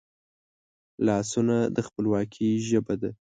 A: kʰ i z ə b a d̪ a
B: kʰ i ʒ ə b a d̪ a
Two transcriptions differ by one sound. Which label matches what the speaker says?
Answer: B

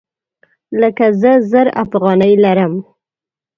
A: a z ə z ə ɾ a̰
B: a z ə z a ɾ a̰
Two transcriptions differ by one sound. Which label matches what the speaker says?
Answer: A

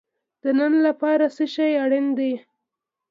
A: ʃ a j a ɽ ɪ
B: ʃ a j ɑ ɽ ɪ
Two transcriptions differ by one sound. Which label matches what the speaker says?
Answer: A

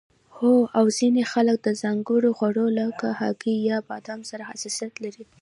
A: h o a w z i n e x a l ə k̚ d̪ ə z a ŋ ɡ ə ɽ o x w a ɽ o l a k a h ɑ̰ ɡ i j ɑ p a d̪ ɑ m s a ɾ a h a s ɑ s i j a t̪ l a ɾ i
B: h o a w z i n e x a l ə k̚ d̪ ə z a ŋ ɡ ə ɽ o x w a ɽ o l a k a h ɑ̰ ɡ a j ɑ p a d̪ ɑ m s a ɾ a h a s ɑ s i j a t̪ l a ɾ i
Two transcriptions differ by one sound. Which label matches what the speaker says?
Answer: A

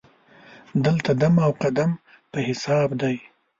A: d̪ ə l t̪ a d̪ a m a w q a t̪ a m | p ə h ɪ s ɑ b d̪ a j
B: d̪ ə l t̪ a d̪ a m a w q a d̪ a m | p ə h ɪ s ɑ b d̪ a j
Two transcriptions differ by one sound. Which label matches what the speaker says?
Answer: B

